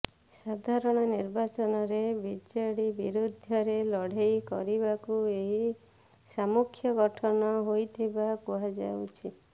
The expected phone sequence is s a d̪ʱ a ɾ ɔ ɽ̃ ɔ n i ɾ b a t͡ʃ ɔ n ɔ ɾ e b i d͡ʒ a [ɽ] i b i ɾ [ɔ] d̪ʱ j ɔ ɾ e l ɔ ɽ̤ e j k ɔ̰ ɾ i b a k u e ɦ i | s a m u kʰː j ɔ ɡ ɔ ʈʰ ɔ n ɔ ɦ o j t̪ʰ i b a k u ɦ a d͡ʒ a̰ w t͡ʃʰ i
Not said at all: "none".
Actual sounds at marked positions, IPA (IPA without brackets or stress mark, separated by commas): ɽ, u